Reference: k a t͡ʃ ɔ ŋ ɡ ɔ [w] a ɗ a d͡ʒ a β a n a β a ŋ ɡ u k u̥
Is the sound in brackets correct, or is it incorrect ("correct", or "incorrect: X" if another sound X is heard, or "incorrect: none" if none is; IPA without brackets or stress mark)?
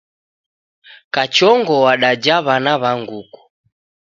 correct